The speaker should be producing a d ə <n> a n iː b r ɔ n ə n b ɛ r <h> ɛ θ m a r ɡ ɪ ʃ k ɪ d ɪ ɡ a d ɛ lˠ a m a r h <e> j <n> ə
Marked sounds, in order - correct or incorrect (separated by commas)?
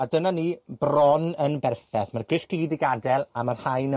correct, incorrect, incorrect, correct